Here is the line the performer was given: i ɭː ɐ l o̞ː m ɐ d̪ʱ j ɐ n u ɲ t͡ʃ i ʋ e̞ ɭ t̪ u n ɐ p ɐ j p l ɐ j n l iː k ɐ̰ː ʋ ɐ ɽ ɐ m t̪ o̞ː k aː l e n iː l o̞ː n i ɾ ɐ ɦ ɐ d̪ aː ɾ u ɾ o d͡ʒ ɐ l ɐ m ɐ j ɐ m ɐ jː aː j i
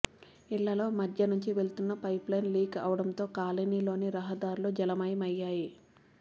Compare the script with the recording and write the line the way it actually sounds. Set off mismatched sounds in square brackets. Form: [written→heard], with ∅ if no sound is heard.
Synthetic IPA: i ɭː ɐ l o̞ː m ɐ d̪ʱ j ɐ n u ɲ t͡ʃ i ʋ e̞ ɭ t̪ u [n→nː] ɐ p ɐ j p l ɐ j n l iː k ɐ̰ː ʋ ɐ ɽ ɐ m t̪ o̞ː k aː l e n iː l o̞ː n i ɾ ɐ ɦ ɐ d̪ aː ɾ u [ɾ→l] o d͡ʒ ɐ l ɐ m ɐ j ɐ m ɐ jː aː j i